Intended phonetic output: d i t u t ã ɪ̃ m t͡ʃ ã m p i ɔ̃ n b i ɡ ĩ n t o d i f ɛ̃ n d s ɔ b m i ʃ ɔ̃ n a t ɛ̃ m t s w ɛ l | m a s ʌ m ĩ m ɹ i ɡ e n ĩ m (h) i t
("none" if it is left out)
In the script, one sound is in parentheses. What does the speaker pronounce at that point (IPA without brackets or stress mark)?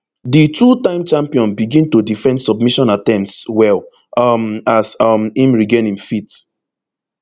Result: f